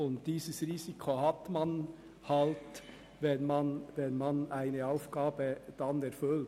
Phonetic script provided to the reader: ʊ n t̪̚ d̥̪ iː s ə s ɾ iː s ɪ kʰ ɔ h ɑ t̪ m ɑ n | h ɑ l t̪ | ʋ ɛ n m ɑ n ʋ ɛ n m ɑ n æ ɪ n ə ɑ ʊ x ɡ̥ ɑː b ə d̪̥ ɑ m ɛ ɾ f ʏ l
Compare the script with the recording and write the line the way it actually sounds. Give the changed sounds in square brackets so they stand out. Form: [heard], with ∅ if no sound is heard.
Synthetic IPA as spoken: ʊ n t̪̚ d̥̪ iː s ə s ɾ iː s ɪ kʰ [o] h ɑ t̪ m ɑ n | h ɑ l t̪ | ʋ ɛ n m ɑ n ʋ ɛ n m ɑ n æ ɪ n ə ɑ ʊ [f] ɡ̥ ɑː b ə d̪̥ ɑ [n] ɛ ɾ f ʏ l